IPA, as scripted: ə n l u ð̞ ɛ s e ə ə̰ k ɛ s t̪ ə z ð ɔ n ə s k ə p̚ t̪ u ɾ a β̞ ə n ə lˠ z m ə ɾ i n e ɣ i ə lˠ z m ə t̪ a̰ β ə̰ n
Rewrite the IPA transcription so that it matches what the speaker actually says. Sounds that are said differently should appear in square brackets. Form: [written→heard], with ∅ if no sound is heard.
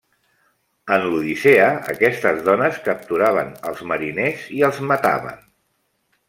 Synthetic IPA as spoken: ə n l u ð̞ [ɛ→i] s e ə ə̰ k ɛ s t̪ ə z ð ɔ n ə s k ə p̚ t̪ u ɾ a β̞ ə n ə lˠ z m ə ɾ i n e [ɣ→z] i ə lˠ z m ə t̪ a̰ β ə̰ n